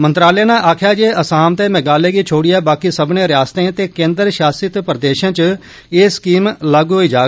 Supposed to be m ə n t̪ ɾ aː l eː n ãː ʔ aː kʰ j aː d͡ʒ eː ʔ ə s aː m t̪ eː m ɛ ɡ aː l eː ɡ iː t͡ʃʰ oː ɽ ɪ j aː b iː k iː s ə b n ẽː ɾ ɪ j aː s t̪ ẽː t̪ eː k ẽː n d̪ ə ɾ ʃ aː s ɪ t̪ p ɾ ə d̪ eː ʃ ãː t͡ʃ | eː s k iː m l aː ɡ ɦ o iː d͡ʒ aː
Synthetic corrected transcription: m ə n t̪ ɾ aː l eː n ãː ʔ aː kʰ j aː d͡ʒ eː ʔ ə s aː m t̪ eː m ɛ ɡ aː l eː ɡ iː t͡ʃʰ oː ɽ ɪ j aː b aː k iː s ə b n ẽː ɾ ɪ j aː s t̪ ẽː t̪ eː k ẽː n d̪ ə ɾ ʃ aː s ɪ t̪ p ɾ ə d̪ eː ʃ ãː t͡ʃ | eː s k iː m l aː ɡ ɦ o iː d͡ʒ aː